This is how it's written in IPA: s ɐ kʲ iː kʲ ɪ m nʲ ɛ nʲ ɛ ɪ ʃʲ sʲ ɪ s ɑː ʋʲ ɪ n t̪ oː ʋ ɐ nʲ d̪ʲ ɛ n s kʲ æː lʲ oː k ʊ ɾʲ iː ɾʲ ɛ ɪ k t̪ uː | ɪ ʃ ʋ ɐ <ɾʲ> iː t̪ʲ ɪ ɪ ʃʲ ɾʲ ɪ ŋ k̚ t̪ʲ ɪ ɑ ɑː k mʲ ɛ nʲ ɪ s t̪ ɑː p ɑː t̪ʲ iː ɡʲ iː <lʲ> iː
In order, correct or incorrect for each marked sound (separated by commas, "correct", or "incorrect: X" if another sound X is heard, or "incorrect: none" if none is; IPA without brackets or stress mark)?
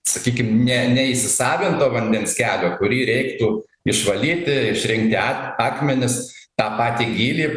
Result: incorrect: lʲ, correct